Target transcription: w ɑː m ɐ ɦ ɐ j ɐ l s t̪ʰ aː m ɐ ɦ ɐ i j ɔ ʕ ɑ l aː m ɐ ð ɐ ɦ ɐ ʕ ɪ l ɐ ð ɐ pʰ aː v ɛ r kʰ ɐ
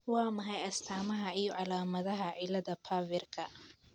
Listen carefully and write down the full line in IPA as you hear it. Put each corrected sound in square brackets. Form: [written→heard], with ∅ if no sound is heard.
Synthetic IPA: w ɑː m ɐ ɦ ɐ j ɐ [l→∅] s t̪ʰ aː m ɐ ɦ ɐ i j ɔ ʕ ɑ l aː m ɐ ð ɐ ɦ ɐ ʕ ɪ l ɐ ð ɐ pʰ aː v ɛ r kʰ ɐ